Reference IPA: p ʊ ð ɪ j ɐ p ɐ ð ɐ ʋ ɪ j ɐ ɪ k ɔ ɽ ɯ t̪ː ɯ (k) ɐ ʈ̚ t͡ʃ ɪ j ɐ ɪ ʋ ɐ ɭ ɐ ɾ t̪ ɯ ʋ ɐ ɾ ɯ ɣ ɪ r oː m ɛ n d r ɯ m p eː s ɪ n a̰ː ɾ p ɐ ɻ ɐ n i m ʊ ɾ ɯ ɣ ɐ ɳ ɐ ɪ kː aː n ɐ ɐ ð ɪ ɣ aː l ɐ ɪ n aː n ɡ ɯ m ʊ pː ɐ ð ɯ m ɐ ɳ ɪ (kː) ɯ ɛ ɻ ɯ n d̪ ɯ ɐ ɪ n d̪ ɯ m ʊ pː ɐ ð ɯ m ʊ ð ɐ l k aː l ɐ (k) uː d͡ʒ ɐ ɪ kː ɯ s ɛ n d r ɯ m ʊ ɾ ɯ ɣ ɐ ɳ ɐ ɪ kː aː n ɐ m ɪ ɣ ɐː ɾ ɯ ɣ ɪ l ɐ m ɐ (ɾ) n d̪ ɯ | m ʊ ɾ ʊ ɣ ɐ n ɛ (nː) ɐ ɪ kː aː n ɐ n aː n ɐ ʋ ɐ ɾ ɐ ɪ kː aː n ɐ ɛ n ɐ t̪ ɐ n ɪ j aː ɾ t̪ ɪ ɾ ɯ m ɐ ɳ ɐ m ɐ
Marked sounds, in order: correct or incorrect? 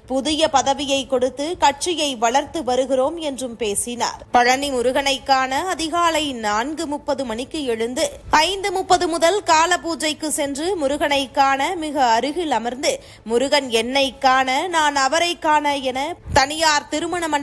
correct, correct, incorrect: p, correct, correct

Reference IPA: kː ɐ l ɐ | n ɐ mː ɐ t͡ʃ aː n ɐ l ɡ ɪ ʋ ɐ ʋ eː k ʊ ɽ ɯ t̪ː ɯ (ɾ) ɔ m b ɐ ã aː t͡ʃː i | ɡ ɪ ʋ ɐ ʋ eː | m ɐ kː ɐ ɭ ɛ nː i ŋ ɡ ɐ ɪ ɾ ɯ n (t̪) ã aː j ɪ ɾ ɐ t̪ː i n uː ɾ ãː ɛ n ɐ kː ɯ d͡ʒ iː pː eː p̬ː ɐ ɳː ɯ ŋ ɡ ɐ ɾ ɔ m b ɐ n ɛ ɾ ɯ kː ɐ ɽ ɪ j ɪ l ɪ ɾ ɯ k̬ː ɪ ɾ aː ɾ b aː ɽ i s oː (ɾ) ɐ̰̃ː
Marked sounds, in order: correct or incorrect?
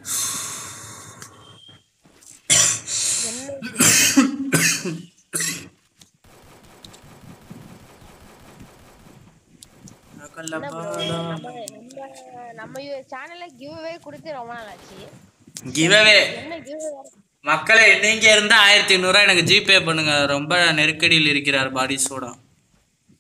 correct, incorrect: d̪, incorrect: ɽ

